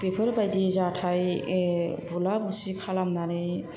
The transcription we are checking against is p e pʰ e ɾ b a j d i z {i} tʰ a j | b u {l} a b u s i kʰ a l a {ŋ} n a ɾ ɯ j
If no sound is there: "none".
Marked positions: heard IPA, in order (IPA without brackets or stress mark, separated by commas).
a, l, m